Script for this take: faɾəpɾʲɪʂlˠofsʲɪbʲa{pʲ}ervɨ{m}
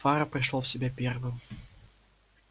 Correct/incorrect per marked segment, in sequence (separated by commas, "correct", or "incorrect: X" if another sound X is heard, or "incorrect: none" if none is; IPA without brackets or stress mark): correct, correct